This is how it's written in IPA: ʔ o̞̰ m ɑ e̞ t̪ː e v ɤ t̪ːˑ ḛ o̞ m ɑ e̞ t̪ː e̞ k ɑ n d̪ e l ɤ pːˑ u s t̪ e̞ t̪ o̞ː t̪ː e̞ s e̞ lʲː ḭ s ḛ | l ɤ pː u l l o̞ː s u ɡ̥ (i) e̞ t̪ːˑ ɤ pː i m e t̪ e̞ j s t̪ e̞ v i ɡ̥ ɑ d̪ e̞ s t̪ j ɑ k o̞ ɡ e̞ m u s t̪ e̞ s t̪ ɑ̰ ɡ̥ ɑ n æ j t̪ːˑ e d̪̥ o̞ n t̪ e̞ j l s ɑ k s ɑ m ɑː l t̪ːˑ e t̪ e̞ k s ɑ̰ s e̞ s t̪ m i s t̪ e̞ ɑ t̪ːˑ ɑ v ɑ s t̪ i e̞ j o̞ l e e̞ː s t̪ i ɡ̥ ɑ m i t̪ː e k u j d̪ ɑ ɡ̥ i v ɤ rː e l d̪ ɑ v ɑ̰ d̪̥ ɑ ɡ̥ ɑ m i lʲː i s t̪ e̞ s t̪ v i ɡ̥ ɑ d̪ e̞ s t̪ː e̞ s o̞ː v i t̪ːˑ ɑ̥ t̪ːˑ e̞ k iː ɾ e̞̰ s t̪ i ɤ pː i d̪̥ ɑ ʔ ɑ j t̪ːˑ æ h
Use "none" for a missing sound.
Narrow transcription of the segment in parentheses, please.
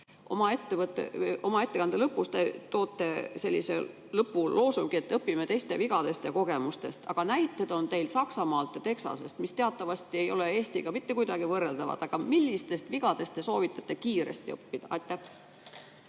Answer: i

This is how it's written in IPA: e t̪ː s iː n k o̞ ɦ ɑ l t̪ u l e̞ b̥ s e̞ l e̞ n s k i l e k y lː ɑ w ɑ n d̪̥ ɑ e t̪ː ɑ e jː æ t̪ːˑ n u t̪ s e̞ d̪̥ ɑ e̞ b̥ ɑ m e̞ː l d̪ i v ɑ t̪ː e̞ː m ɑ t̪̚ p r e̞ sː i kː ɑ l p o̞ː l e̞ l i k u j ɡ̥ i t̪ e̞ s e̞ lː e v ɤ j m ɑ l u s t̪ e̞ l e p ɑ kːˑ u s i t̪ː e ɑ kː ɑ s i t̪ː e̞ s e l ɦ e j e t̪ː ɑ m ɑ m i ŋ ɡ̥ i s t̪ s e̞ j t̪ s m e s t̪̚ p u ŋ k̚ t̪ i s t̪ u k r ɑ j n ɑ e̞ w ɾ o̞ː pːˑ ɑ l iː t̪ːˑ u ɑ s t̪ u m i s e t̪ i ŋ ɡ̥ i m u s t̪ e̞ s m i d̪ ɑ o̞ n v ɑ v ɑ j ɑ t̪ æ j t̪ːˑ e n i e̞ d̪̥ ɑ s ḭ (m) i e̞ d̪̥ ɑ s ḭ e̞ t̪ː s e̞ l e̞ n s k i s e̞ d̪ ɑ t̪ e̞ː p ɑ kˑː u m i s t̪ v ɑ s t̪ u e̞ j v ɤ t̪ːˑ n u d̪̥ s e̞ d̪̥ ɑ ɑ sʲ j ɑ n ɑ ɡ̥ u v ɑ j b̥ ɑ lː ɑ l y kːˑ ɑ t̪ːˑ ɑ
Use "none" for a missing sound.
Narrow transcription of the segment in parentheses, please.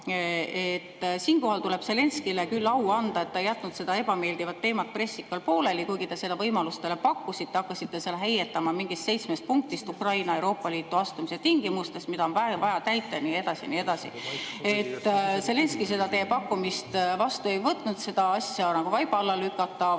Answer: n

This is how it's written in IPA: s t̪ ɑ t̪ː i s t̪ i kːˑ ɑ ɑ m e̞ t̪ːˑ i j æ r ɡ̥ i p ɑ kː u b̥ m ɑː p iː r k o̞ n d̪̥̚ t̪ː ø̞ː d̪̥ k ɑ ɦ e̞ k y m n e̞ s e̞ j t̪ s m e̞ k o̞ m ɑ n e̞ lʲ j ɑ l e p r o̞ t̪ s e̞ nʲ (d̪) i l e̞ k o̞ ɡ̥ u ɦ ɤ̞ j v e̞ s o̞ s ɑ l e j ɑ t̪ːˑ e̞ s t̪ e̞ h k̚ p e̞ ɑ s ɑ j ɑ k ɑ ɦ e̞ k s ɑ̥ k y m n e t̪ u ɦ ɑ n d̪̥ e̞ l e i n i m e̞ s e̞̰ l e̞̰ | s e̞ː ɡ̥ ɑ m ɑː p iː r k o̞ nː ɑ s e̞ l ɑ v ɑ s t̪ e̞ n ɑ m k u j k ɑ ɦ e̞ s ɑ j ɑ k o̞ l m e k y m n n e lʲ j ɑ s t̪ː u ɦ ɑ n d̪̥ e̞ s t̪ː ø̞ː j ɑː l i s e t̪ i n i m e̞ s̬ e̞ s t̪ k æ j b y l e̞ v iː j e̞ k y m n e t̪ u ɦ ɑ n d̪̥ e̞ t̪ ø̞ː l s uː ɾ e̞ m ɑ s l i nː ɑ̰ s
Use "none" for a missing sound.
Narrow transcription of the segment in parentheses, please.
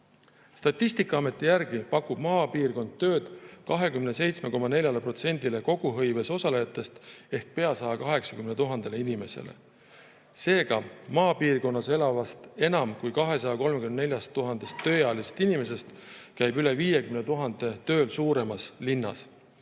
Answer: d̪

